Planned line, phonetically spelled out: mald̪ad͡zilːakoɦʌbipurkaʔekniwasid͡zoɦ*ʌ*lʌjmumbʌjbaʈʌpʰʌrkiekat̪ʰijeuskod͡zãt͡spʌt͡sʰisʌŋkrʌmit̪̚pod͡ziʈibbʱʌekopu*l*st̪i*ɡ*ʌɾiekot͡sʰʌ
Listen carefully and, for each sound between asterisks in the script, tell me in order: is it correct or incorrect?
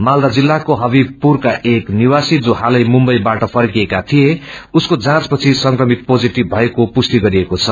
incorrect: a, incorrect: none, correct

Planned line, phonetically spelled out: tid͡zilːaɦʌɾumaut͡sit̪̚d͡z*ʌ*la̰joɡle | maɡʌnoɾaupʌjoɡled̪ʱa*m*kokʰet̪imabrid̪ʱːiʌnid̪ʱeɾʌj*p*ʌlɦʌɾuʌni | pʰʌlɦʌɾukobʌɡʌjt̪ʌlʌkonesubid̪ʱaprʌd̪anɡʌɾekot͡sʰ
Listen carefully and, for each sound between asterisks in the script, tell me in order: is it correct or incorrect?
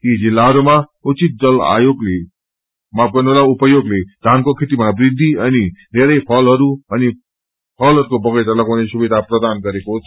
correct, incorrect: n, incorrect: pʰ

